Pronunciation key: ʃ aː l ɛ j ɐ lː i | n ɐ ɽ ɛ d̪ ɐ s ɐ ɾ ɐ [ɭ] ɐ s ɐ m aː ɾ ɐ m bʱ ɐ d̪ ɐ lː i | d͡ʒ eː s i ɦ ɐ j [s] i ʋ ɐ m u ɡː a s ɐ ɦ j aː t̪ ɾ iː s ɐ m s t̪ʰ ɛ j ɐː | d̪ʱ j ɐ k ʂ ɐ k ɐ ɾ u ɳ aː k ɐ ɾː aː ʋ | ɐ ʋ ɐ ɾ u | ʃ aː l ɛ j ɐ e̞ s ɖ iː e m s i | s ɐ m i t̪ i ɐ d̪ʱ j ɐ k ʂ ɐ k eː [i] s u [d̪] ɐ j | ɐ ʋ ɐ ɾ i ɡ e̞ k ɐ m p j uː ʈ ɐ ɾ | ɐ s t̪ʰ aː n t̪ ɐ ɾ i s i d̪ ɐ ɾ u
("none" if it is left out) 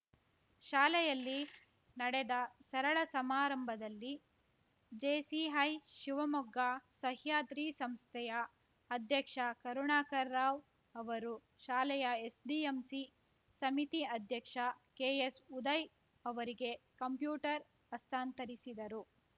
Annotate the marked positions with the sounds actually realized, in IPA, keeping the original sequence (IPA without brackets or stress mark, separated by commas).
ɭ, ʃ, e, d̪